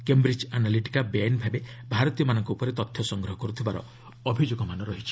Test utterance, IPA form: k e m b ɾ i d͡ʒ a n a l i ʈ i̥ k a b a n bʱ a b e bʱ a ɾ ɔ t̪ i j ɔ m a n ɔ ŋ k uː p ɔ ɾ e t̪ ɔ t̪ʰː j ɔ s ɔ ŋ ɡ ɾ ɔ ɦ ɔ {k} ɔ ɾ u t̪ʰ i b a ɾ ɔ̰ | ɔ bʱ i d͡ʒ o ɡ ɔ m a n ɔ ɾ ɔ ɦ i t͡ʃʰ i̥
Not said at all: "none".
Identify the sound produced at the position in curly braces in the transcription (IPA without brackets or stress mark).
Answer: k